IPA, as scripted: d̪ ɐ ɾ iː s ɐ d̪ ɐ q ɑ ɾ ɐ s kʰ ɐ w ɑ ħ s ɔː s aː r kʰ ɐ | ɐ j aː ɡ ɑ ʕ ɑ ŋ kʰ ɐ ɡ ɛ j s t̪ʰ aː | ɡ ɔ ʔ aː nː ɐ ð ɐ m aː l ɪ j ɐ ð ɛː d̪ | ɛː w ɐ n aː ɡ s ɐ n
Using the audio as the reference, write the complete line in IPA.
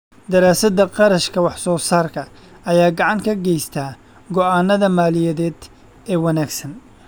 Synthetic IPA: d̪ ɐ ɾ aː s ɐ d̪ ɐ q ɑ ɾ ɐ ʃ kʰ ɐ w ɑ ħ s ɔː s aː r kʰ ɐ | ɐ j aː ɡ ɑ ʕ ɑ ŋ kʰ ɐ ɡ ɛ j s t̪ʰ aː | ɡ ɔ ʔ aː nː ɐ ð ɐ m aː l ɪ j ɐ ð ɛː d̪ | ɛː w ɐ n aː ɡ s ɐ n